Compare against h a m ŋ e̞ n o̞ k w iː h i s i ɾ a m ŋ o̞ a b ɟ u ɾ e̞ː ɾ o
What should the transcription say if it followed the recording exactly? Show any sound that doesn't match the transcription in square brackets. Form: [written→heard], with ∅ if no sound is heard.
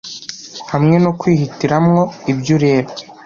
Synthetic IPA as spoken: h a m ŋ e̞ n o̞ k w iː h i [s→t] i ɾ a m ŋ o̞ [a→i] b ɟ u ɾ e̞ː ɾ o

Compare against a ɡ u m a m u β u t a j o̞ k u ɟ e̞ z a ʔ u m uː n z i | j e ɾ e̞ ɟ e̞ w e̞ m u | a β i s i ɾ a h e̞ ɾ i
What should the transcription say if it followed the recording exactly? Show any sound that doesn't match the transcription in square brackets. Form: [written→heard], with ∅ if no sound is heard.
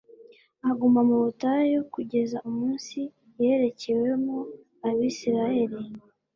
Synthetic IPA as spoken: a ɡ u m a m u β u t a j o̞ k u ɟ e̞ z a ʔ u m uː n [z→s] i | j e ɾ e̞ [ɟ→c] e̞ w e̞ m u | a β i s i ɾ a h e̞ ɾ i

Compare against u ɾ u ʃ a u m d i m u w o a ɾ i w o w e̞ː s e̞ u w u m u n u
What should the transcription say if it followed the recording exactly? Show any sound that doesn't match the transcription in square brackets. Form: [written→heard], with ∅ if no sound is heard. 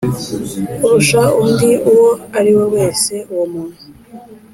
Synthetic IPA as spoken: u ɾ u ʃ a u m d i [m→∅] u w o a ɾ i w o w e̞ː s e̞ u w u m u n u

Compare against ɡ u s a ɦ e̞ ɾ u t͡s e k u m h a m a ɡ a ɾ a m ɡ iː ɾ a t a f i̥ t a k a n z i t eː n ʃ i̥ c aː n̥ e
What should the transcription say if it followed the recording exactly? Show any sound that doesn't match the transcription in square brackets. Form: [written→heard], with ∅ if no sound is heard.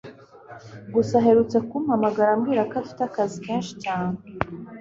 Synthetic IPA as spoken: ɡ u s a ɦ e̞ ɾ u t͡s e k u m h a m a ɡ a ɾ a m ɡ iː ɾ a [t→k] a f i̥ t a k a [n→∅] z i [t→k] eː n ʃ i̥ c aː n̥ e

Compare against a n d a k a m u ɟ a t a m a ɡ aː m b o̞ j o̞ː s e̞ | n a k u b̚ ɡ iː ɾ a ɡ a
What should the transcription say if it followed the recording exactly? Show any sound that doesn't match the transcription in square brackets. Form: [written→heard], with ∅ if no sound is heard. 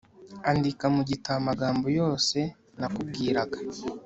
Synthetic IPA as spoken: a n d [a→i] k a m u ɟ [a→i] t a m a ɡ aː m b o̞ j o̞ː s e̞ | n a k u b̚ ɡ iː ɾ a ɡ a

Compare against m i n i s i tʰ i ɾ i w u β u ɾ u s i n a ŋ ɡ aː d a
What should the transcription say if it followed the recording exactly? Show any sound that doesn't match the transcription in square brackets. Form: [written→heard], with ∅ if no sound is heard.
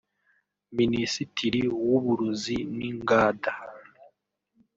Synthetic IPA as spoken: m i n i s i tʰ i ɾ i w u β u ɾ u [s→z] i n [a→i] ŋ ɡ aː d a

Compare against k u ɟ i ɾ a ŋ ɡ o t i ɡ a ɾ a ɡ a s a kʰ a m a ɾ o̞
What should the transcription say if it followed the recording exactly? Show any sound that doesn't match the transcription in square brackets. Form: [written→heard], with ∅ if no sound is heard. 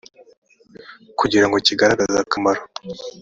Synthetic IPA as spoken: k u ɟ i ɾ a ŋ ɡ o [t→c] i ɡ a ɾ a ɡ a [s→z] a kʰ a m a ɾ o̞

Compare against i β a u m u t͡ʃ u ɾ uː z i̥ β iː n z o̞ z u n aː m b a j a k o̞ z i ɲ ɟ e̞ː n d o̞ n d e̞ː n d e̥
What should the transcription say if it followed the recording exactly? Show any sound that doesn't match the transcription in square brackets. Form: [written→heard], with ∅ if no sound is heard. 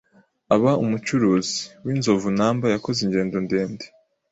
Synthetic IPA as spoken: [i→a] β a u m u t͡ʃ u ɾ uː z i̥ [β→w] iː n z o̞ [z→v] u n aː m b a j a k o̞ z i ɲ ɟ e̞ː n d o̞ n d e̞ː n d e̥

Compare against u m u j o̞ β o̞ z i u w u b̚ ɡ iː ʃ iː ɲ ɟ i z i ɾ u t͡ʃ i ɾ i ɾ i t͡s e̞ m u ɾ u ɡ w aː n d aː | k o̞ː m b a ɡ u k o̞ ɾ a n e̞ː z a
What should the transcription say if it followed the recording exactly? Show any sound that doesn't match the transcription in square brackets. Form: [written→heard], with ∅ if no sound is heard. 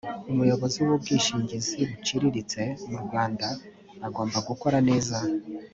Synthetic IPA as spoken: u m u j o̞ β o̞ z i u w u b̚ ɡ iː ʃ iː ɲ ɟ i z i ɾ u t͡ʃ i ɾ i ɾ i t͡s e̞ m u ɾ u ɡ w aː n d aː | [k→ɡ] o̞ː m b a ɡ u k o̞ ɾ a n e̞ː z a

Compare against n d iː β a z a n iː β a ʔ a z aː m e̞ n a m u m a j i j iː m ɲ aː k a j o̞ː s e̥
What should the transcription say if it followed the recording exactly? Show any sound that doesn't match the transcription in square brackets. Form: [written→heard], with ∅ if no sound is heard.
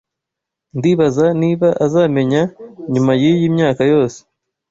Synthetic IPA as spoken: n d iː β a z a n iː β a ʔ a z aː m e̞ [n→ɲ] a [m→ɲ] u m a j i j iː m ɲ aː k a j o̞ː s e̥

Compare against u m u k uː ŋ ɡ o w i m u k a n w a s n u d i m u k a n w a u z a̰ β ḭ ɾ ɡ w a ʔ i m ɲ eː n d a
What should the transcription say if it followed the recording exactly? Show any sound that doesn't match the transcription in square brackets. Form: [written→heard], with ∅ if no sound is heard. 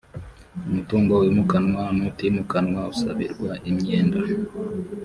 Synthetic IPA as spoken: u m u [k→t] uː ŋ ɡ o w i m u k a n w a [s→∅] n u [d→t] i m u k a n w a u [z→s] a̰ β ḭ ɾ ɡ w a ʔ i m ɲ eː n d a

